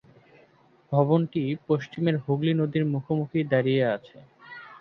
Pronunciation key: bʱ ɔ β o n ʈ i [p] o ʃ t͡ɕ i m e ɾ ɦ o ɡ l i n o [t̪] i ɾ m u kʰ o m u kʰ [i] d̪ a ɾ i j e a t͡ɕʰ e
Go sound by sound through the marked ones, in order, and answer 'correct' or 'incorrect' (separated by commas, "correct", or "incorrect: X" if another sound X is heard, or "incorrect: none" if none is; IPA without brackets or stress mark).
correct, incorrect: d̪, correct